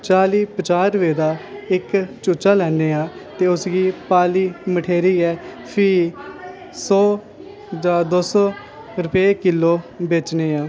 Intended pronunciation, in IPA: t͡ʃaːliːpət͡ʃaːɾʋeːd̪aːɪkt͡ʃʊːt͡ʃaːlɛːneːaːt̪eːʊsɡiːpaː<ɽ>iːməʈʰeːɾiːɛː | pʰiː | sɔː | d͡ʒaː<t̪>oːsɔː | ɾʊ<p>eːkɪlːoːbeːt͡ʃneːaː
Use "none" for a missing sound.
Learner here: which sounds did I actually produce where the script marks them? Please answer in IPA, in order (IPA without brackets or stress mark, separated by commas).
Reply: l, d̪, p